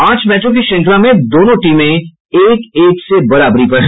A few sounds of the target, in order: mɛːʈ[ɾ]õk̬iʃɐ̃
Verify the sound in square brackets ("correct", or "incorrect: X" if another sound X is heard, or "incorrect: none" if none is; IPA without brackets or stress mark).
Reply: correct